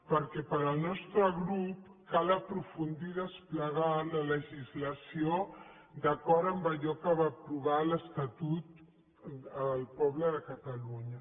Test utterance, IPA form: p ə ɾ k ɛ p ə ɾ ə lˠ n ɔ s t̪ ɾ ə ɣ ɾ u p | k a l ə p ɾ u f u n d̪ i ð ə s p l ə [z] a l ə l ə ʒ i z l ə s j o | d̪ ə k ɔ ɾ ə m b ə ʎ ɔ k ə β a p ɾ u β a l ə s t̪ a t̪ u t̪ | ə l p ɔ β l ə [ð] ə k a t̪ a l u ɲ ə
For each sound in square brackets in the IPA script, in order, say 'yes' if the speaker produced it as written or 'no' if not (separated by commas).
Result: no, yes